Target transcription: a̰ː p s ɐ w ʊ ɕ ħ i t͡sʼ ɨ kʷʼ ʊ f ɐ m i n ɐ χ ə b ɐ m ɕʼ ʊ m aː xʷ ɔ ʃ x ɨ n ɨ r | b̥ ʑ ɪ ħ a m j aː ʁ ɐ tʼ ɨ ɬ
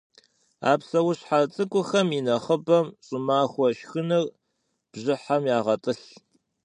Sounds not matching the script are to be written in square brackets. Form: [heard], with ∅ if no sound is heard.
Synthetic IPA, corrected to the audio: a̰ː p s ɐ w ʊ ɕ ħ [a] t͡sʼ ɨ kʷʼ ʊ [x] ɐ m i n ɐ χ ə b ɐ m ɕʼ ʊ m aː xʷ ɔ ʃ x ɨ n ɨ r | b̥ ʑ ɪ ħ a m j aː ʁ ɐ tʼ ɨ ɬ